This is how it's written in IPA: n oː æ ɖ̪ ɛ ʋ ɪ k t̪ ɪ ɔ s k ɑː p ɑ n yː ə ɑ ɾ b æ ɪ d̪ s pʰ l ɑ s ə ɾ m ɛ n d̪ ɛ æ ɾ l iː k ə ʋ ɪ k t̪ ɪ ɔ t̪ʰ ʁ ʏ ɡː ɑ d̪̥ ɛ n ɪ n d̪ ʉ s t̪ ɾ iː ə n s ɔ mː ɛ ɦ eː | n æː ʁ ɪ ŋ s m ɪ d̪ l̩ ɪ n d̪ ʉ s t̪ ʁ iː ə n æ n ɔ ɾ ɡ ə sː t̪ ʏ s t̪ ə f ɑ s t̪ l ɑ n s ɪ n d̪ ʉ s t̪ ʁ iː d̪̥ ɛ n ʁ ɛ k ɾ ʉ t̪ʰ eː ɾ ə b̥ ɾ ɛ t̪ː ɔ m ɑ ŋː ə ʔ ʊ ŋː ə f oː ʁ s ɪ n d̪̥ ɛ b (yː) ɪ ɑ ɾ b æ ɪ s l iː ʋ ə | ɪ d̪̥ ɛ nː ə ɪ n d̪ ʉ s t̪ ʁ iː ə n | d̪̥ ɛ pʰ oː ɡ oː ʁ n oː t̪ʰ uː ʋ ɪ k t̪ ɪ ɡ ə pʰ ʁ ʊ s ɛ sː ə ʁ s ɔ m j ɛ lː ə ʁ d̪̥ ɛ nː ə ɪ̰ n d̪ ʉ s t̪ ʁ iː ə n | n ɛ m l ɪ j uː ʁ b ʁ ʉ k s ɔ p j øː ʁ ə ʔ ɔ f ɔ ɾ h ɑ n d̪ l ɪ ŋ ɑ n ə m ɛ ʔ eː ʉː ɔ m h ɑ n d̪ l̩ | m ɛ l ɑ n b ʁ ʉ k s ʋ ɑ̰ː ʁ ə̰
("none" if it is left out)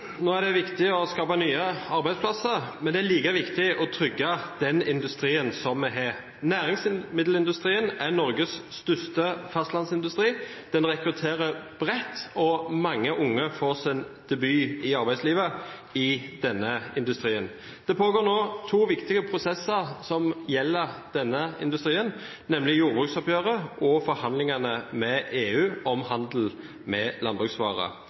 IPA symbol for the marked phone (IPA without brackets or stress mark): yː